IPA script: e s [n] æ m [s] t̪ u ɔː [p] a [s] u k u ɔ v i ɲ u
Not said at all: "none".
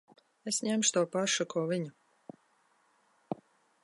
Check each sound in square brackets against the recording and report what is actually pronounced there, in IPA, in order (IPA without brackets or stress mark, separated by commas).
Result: ɲ, ʃ, p, ʃ